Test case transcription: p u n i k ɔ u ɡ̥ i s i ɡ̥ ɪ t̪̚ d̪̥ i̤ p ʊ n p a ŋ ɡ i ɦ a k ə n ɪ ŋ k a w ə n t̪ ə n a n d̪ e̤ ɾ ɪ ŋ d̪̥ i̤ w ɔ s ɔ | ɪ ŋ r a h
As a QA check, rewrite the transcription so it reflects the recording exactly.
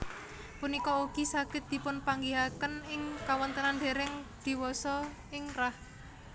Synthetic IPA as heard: p u n i k ɔ u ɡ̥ i s a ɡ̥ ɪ t̪̚ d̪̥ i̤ p ʊ n p a ŋ ɡ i ɦ a k ə n ɪ ŋ k a w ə n t̪ ə n a n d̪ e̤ ɾ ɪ ŋ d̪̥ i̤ w ɔ s ɔ | ɪ ŋ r a h